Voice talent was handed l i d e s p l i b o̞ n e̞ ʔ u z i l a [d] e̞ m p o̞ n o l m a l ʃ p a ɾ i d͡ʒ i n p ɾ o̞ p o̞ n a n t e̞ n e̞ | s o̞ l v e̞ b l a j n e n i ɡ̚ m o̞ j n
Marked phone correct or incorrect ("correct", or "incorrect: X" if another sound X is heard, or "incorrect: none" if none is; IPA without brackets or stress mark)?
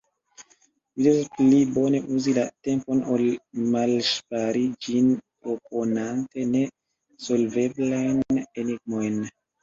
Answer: incorrect: t